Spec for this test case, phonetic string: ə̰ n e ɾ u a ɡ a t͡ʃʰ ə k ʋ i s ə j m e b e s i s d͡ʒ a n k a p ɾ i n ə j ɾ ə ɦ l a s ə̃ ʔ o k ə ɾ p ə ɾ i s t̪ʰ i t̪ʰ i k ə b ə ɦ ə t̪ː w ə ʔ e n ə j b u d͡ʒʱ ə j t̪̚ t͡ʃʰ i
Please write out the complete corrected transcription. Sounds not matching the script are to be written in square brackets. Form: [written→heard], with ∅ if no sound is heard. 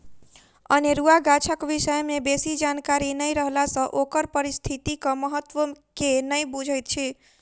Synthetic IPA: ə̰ n e ɾ u a ɡ a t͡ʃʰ ə k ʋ i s ə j m e b e s i [s→∅] d͡ʒ a n k a [p→∅] ɾ i n ə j ɾ ə ɦ l a s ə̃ ʔ o k ə ɾ p ə ɾ i s t̪ʰ i [t̪ʰ→t̪] i k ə [b→m] ə ɦ ə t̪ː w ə [ʔ→k] e n ə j b u d͡ʒʱ ə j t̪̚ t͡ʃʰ i